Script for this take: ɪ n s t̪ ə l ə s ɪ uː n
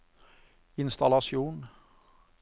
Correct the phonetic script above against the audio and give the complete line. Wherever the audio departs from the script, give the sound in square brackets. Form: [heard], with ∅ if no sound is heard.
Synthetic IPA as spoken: ɪ n s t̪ [ɑ] l [ɑ] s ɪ uː n